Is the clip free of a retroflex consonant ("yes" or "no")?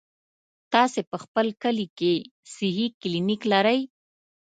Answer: yes